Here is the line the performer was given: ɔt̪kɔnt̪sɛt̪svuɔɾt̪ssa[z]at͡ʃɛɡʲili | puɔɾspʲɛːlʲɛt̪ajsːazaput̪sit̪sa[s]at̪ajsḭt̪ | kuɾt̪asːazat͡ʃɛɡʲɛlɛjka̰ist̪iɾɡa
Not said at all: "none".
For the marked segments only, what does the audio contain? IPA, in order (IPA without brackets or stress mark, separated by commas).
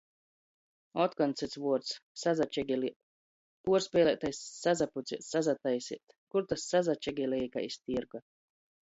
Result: z, z